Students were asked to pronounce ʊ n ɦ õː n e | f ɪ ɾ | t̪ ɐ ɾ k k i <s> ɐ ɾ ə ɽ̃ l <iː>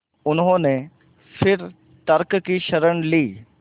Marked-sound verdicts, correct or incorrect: incorrect: ʃ, correct

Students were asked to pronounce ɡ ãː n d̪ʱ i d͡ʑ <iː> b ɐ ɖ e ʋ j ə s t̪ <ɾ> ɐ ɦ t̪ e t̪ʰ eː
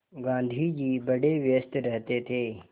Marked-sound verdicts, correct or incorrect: correct, correct

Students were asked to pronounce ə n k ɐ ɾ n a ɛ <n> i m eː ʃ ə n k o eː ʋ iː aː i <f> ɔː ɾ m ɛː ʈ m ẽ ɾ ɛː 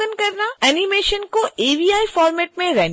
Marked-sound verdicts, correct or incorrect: correct, correct

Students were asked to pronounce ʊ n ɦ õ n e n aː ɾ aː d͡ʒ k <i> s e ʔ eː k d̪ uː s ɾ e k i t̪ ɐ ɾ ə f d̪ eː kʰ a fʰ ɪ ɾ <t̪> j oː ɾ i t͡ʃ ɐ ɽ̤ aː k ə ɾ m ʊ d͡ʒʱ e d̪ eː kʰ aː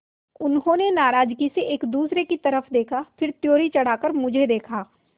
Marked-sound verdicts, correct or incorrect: correct, correct

